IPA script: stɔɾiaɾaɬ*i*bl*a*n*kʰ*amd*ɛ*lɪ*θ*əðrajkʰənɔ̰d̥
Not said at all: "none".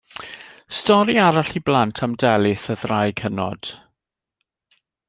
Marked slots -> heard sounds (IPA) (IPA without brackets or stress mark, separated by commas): i, a, tʰ, ɛ, θ